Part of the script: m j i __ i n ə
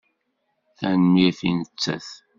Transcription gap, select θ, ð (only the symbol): θ